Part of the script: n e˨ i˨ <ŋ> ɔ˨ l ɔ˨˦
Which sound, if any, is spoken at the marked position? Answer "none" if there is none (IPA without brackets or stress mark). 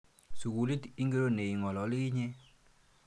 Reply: ŋ